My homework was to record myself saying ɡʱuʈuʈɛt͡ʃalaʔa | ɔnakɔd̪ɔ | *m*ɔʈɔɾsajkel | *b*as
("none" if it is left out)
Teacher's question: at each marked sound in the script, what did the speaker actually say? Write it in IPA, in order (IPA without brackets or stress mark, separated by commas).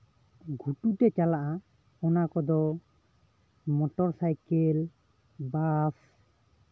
m, b